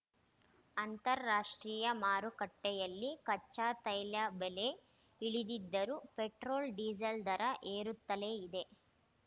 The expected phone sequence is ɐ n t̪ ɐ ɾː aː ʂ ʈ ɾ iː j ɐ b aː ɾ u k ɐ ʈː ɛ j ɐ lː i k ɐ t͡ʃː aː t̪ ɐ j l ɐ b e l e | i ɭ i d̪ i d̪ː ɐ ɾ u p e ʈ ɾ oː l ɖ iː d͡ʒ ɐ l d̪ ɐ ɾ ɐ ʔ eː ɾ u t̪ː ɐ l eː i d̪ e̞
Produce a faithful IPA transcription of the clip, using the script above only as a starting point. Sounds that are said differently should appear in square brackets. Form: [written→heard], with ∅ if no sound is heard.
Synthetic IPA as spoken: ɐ n t̪ ɐ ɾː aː ʂ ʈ ɾ iː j ɐ [b→m] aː ɾ u k ɐ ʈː ɛ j ɐ lː i k ɐ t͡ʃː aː t̪ ɐ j l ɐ b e l e | i ɭ i d̪ i d̪ː ɐ ɾ u p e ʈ ɾ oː l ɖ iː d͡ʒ ɐ l d̪ ɐ ɾ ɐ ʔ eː ɾ u t̪ː ɐ l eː i d̪ e̞